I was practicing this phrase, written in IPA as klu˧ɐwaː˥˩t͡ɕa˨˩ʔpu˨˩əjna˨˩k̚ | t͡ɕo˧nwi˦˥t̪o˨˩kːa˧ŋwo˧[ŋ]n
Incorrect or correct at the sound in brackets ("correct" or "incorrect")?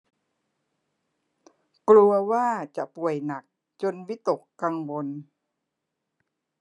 incorrect